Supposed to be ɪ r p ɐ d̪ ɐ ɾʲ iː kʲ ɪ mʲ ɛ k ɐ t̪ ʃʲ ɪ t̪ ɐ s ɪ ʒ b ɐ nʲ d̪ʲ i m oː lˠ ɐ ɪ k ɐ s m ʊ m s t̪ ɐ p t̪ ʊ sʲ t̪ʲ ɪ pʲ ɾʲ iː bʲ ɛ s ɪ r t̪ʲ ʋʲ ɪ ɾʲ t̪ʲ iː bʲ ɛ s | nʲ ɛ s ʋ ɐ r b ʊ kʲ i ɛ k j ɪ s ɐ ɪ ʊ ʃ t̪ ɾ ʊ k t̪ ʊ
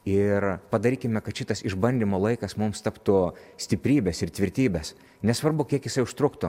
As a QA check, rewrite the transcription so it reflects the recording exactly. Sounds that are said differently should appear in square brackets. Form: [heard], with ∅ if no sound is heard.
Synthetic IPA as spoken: ɪ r p ɐ d̪ ɐ ɾʲ iː kʲ ɪ mʲ ɛ k ɐ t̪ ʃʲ ɪ t̪ ɐ s ɪ ʒ b ɐ nʲ d̪ʲ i m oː lˠ ɐ ɪ k ɐ s m ʊ m s t̪ ɐ p t̪ ʊ sʲ t̪ʲ ɪ pʲ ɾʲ iː bʲ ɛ s ɪ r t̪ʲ ʋʲ ɪ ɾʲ t̪ʲ iː bʲ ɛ s | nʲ ɛ s ʋ ɐ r b ʊ kʲ i ɛ k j ɪ s ɐ ɪ ʊ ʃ t̪ ɾ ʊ k t̪ ʊ